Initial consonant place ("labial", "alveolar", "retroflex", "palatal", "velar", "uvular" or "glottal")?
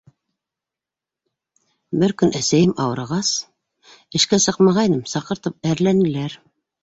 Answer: labial